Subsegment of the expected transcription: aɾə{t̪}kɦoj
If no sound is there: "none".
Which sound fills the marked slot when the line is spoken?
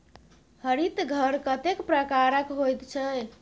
none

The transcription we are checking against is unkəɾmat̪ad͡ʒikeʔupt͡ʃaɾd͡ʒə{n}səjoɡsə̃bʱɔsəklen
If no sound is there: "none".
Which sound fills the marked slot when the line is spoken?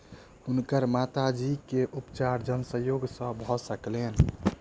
n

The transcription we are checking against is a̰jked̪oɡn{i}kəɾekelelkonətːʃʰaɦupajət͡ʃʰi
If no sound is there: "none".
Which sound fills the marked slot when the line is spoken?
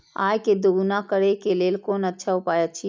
a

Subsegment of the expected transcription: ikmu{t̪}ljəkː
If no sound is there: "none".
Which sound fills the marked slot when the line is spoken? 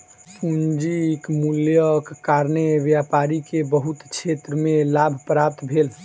none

